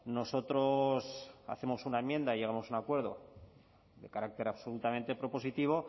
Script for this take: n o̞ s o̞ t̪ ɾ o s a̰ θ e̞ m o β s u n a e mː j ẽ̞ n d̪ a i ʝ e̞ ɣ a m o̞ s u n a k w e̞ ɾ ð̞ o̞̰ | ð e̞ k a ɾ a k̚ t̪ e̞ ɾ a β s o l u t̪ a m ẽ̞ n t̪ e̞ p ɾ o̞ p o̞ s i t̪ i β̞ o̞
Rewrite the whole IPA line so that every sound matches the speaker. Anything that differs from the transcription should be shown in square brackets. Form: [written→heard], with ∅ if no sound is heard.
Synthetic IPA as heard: n o̞ s o̞ t̪ ɾ o s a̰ θ e̞ m o [β→∅] s u n a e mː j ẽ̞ n d̪ a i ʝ e̞ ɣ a m o̞ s u n a k w e̞ ɾ ð̞ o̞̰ | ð e̞ k a ɾ a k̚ t̪ e̞ ɾ a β s o l u t̪ a m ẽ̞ n t̪ e̞ p ɾ o̞ p o̞ s i t̪ i β̞ o̞